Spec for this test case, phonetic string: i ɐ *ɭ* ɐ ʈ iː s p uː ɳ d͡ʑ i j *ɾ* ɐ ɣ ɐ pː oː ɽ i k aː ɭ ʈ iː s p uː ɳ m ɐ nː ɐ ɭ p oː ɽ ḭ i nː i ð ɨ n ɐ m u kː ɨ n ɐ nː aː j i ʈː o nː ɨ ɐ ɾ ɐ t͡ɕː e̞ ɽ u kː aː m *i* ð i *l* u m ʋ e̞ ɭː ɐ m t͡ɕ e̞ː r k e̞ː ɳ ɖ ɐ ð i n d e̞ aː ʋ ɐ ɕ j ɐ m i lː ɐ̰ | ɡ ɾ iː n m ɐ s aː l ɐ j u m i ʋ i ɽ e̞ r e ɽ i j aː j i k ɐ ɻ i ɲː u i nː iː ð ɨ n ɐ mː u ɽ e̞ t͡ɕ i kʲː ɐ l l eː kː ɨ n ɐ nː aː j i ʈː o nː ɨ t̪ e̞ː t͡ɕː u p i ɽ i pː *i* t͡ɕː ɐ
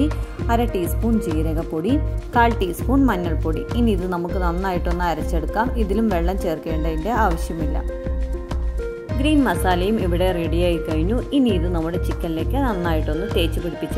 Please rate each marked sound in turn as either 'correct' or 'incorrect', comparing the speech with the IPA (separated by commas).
incorrect, correct, correct, correct, correct